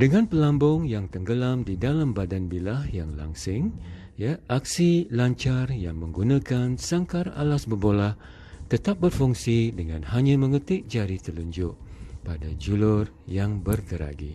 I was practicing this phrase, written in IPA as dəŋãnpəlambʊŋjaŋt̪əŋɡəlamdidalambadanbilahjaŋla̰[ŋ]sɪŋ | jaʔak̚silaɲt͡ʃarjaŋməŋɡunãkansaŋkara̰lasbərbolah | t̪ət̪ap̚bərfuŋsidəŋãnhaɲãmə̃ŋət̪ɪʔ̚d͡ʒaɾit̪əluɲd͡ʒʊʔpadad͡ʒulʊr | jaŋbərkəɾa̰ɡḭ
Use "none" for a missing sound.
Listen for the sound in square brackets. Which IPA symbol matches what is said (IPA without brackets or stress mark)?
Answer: ŋ